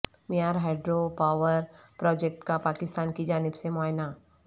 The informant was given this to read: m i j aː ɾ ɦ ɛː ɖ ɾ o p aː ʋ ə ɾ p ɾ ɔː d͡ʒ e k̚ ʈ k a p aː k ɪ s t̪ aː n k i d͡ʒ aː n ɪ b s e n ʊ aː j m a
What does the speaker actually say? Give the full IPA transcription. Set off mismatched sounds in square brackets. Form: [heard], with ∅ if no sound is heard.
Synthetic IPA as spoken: m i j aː ɾ ɦ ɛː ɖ ɾ o p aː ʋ ə ɾ p ɾ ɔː d͡ʒ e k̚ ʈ k a p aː k ɪ s t̪ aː n k i d͡ʒ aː n ɪ b s e [m] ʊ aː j [n] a